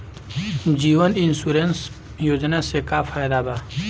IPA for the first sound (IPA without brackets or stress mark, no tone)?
d͡ʒ